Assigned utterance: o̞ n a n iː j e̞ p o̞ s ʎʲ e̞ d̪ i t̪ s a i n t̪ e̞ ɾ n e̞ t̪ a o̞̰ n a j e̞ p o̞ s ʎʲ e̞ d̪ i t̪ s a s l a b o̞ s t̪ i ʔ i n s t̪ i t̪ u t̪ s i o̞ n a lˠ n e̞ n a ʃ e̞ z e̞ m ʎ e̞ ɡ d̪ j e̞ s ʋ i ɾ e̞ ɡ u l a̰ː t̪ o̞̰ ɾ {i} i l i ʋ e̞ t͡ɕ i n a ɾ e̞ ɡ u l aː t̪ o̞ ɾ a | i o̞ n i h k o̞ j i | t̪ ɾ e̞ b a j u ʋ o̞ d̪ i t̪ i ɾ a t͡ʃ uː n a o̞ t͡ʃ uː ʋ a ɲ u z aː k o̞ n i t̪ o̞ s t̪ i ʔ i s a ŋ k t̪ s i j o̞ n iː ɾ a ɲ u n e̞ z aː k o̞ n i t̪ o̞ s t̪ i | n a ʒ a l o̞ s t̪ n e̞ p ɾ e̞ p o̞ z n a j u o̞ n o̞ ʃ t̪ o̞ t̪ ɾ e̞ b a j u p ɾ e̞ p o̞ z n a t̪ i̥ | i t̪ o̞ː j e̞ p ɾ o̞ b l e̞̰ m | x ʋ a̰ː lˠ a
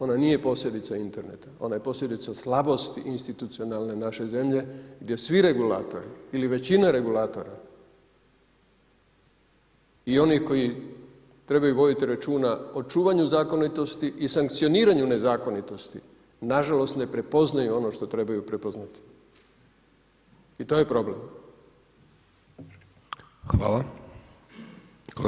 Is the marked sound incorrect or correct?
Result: correct